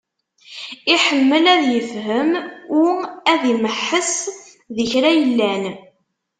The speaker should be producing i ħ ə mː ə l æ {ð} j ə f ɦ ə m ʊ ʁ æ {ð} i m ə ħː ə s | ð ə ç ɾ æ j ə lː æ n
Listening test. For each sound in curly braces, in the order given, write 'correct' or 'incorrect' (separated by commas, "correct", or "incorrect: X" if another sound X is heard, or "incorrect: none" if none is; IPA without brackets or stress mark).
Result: correct, correct